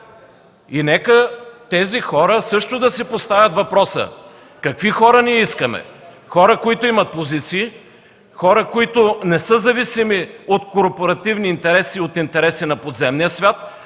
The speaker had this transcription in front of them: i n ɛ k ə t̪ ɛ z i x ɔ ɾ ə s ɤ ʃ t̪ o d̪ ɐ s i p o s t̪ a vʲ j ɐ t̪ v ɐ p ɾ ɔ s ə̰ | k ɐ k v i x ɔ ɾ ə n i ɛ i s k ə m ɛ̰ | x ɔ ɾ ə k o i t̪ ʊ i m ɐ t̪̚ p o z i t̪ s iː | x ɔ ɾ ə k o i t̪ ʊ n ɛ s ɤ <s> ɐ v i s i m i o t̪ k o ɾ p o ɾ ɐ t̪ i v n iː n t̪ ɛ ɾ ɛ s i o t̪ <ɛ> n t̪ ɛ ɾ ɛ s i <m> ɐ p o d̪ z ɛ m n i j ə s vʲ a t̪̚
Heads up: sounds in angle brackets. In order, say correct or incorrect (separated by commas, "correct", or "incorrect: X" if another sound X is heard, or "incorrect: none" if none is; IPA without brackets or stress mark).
incorrect: z, incorrect: i, incorrect: n